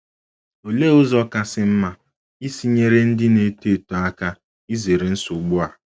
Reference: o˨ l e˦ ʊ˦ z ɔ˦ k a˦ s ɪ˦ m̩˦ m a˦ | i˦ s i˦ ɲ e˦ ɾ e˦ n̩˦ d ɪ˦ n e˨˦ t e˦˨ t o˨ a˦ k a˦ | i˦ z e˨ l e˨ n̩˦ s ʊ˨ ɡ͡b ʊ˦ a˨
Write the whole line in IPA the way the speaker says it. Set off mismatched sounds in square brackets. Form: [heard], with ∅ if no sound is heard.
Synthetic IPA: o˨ l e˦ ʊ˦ z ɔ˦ k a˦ s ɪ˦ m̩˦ m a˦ | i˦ s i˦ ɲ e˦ ɾ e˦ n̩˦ d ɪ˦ n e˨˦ t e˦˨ t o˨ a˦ k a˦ | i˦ z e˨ [ɾ] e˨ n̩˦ s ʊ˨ ɡ͡b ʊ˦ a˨